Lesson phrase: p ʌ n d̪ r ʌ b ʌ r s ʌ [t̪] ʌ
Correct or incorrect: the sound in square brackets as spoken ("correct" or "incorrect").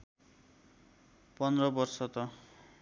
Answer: correct